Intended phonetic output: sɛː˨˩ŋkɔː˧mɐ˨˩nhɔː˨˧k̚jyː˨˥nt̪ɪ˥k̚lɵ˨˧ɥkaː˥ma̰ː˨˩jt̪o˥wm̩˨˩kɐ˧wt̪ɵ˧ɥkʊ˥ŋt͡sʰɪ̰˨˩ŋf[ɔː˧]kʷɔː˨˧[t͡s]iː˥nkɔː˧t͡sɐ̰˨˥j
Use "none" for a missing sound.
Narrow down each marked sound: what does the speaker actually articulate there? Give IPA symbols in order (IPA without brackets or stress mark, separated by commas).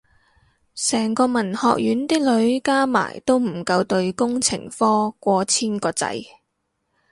ɔː˥, t͡sʰ